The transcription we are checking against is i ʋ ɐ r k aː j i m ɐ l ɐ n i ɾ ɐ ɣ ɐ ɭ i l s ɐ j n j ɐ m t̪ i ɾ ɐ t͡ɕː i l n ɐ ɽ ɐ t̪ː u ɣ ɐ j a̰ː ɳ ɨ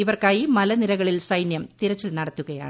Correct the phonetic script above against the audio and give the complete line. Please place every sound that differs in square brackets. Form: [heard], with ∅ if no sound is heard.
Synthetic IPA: i ʋ ɐ r k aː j i m ɐ l ɐ n i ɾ ɐ ɣ ɐ ɭ i l s ɐ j n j ɐ m t̪ i ɾ ɐ t͡ɕː i l n ɐ ɽ ɐ t̪ː u ɣ ɐ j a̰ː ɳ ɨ